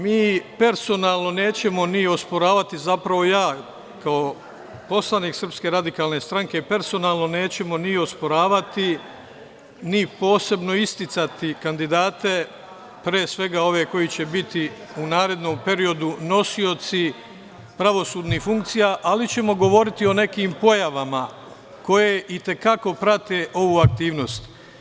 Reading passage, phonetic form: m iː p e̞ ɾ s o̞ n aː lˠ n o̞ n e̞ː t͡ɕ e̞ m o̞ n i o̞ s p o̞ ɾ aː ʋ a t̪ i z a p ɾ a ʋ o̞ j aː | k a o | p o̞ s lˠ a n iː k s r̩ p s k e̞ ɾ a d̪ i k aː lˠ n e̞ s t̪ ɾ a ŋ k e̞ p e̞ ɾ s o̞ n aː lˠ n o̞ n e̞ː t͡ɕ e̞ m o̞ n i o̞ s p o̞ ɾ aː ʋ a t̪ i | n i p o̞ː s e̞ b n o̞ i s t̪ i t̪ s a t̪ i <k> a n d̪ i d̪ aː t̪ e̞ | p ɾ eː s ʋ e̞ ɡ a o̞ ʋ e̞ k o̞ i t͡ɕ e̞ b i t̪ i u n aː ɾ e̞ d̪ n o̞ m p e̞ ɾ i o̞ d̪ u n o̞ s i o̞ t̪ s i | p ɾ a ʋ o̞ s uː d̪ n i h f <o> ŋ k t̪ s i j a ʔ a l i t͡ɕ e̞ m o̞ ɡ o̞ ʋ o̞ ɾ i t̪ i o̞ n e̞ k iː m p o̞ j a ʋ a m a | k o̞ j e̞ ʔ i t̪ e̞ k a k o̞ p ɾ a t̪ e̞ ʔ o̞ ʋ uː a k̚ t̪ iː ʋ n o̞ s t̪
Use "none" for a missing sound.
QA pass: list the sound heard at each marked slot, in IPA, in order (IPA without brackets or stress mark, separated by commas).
k, u